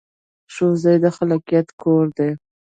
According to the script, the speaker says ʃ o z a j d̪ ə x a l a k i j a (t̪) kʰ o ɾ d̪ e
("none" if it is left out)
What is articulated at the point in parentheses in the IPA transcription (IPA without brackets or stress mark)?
t̪